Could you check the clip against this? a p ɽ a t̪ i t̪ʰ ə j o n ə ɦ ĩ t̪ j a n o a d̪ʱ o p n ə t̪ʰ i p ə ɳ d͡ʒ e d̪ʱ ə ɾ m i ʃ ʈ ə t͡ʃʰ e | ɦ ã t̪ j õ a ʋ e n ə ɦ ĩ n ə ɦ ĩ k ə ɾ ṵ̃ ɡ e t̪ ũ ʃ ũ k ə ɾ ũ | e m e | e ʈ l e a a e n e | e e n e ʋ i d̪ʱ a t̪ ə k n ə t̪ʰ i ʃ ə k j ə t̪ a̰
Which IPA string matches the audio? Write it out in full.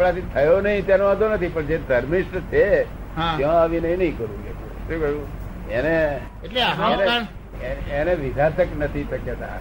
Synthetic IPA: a p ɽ a t̪ i t̪ʰ ə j o n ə ɦ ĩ t̪ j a n o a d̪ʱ o n ə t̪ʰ i p ə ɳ d͡ʒ e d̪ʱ ə ɾ m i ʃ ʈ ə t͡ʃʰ e | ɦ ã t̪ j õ a ʋ i n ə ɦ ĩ n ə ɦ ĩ k ə ɾ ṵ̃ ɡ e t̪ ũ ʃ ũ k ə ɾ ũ | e n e | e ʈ l e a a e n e | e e n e ʋ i d̪ʱ a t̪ ə k n ə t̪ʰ i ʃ ə k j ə t̪ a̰